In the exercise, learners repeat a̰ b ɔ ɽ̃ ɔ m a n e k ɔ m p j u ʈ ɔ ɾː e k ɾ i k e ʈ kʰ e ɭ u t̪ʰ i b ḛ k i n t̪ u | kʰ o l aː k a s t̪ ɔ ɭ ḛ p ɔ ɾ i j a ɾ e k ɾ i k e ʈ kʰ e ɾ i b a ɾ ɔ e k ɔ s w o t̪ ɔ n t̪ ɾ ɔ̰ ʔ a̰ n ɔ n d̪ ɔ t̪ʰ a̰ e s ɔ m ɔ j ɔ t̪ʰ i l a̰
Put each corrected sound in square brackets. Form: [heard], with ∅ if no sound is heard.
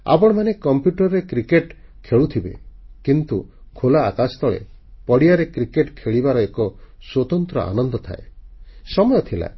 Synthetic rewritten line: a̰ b ɔ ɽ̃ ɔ m a n e k ɔ m p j u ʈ ɔ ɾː e k ɾ i k e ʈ kʰ e ɭ u t̪ʰ i b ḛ k i n t̪ u | kʰ o l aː k a s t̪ ɔ ɭ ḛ p ɔ [ɽ] i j a ɾ e k ɾ i k e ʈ kʰ e [ɭ] i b a ɾ ɔ e k ɔ s w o t̪ ɔ n t̪ ɾ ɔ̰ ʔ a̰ n ɔ n d̪ ɔ t̪ʰ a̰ e s ɔ m ɔ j ɔ t̪ʰ i l a̰